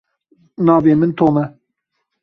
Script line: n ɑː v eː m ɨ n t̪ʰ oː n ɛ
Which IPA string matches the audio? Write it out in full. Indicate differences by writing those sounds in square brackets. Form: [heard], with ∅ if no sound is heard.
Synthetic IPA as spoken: n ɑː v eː m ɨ n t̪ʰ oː [m] ɛ

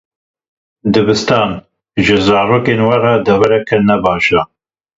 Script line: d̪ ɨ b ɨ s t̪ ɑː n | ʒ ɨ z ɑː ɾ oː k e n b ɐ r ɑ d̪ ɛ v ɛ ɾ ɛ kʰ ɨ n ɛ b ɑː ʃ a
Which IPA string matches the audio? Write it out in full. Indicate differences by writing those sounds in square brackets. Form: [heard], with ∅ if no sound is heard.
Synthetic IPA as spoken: d̪ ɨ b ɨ s t̪ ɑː n | ʒ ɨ z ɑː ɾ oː k e n [w] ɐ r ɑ d̪ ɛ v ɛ ɾ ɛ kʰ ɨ n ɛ b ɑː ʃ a

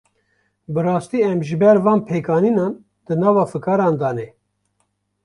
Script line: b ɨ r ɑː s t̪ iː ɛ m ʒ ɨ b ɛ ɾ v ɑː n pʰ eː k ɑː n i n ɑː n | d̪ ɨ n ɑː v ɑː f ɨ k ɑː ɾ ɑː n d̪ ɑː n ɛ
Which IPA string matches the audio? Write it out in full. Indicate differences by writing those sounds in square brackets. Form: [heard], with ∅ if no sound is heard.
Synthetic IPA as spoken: b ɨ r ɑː s t̪ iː ɛ m ʒ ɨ b ɛ ɾ v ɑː n pʰ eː k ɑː n i n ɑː n | d̪ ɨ n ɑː v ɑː f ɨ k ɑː ɾ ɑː n d̪ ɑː n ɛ

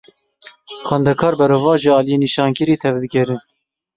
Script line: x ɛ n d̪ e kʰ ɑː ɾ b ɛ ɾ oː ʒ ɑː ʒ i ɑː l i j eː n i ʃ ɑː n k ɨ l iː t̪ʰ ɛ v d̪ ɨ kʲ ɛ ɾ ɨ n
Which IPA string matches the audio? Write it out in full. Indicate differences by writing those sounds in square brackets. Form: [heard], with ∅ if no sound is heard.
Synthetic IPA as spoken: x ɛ n d̪ [ɛ] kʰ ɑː ɾ b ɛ ɾ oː [v] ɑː ʒ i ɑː l i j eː n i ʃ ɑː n k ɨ [ɾ] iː t̪ʰ ɛ v d̪ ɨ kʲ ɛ ɾ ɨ n

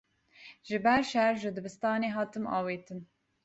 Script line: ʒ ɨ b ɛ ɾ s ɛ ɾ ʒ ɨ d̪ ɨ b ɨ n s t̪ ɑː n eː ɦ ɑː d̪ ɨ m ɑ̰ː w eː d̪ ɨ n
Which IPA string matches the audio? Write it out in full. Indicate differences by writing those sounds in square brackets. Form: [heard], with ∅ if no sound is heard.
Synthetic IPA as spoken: ʒ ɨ b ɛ ɾ [ʃ] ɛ ɾ ʒ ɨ d̪ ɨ b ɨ [∅] s t̪ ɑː n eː ɦ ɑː [t̪] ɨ m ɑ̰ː w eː [t̪] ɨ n

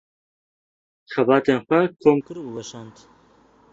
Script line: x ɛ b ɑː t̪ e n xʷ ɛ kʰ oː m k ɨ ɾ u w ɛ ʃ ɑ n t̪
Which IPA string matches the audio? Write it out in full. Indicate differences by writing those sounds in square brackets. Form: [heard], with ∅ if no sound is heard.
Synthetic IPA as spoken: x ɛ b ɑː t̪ e n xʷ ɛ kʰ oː m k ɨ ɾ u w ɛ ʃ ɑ n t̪

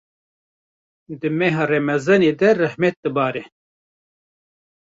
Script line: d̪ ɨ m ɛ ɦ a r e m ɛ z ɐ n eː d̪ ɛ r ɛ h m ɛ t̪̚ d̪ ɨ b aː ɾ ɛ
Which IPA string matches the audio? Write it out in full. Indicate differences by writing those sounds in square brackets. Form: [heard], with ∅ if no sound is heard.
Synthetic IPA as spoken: d̪ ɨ m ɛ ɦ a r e m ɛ z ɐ n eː d̪ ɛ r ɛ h m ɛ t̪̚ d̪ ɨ b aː ɾ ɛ

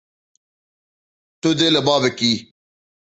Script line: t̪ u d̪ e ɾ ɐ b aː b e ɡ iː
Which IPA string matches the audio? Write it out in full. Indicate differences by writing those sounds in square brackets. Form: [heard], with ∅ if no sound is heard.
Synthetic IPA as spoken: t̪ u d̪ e [l] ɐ b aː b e [k] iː

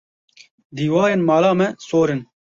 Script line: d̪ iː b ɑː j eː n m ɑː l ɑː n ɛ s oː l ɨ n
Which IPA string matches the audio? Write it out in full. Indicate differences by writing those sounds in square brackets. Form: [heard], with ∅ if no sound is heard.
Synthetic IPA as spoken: d̪ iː [w] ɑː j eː n m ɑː l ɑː [m] ɛ s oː [ɾ] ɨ n

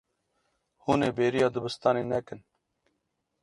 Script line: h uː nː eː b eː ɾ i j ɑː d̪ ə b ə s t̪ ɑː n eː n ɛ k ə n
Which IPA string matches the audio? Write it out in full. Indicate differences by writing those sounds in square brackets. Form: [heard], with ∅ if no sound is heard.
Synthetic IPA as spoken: h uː [n] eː b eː ɾ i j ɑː d̪ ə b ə s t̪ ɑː n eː n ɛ k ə n

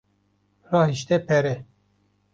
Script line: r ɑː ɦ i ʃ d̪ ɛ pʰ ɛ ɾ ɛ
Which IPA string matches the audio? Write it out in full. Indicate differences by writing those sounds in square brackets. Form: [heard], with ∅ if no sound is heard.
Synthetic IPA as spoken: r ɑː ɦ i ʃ [t̪] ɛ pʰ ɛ ɾ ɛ

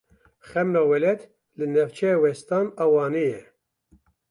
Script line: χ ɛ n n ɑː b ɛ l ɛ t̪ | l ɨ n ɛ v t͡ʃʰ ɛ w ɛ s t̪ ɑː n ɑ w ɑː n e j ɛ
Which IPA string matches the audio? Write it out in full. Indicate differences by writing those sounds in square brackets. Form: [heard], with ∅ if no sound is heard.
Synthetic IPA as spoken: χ ɛ [m] n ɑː [w] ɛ l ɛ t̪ | l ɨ n ɛ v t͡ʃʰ ɛ w ɛ s t̪ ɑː n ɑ w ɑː n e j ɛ

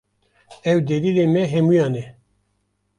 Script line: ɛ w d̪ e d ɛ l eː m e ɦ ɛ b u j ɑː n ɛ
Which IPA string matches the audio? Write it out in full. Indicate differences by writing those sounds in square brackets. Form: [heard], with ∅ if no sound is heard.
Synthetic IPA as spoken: ɛ w d̪ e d [i] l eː m [ɛ] ɦ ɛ [m] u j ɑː n ɛ

